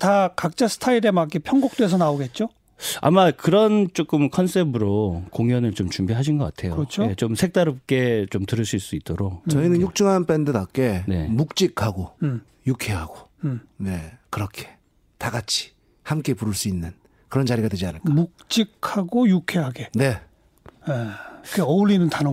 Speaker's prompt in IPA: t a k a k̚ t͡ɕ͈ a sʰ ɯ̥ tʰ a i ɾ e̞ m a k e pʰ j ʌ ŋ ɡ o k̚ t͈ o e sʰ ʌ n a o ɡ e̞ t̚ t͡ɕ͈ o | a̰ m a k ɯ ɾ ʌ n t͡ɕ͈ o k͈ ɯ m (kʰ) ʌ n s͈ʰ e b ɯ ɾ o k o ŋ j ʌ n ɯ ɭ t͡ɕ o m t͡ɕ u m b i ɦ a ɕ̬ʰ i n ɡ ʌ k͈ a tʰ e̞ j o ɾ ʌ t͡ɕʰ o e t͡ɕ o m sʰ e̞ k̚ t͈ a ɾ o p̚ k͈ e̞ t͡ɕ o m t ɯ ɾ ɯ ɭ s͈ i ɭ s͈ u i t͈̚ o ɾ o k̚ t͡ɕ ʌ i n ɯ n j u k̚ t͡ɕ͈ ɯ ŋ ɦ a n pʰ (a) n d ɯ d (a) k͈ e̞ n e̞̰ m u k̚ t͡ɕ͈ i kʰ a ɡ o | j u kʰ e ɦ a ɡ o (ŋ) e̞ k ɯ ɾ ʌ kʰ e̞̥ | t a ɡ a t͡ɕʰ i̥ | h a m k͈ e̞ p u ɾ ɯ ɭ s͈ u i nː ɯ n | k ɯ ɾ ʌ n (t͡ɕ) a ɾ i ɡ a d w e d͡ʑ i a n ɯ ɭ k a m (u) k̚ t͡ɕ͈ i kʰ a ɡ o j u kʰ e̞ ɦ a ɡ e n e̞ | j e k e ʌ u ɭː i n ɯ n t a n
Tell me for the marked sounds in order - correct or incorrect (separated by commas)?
correct, incorrect, correct, incorrect, correct, correct